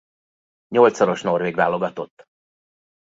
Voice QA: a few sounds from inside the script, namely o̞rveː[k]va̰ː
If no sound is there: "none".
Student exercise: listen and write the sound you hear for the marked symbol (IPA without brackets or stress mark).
ɡ